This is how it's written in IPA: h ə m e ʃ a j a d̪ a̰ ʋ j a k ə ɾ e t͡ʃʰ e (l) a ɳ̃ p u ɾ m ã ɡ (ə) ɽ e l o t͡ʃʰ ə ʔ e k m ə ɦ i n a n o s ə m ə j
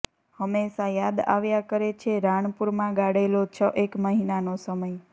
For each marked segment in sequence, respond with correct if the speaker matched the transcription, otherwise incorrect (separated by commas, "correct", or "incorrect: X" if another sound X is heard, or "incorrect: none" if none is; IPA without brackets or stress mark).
incorrect: ɾ, incorrect: a